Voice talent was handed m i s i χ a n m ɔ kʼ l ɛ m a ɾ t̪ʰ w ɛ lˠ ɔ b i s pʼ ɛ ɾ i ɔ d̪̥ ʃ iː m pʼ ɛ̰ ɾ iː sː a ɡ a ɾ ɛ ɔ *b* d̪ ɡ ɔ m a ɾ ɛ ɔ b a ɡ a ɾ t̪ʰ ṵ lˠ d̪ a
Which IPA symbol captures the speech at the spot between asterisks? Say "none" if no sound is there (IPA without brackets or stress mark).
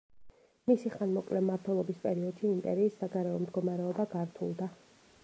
m